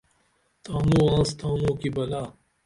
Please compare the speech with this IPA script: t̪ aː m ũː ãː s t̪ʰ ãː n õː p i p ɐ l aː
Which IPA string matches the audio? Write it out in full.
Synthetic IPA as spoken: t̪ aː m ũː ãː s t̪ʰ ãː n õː k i b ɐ l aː